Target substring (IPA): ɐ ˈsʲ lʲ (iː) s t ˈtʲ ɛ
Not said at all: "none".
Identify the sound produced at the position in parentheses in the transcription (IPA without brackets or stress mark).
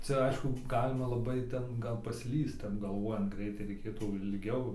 iː